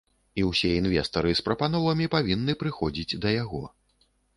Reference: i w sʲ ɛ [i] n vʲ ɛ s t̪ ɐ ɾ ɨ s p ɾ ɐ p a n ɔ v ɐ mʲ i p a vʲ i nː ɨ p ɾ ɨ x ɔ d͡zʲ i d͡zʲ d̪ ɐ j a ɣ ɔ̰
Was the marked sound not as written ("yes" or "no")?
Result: no